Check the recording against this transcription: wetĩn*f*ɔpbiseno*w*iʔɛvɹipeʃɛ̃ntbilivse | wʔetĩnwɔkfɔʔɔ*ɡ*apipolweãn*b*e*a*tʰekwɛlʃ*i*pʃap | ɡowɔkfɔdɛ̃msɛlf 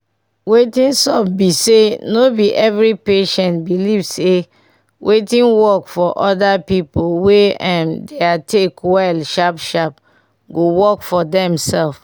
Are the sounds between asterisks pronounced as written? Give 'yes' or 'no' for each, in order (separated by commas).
no, no, no, no, yes, no